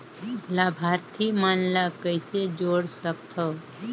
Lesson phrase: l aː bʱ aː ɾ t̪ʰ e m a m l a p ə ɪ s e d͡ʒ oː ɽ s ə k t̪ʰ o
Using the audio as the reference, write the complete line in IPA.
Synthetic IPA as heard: l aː bʱ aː ɾ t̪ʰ i m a n l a k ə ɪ s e d͡ʒ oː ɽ s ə k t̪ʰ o